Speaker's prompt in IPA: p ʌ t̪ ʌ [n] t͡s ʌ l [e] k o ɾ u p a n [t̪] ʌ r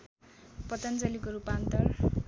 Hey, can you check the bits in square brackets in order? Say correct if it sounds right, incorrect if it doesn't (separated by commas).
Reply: correct, incorrect, correct